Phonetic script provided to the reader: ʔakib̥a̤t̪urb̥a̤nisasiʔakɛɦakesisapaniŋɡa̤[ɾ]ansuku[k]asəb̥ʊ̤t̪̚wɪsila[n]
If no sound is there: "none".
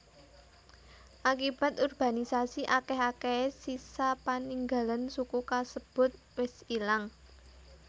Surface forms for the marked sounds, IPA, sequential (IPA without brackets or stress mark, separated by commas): l, k, ŋ